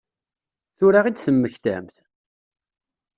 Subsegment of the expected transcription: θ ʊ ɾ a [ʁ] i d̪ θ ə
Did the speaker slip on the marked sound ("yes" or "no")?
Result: no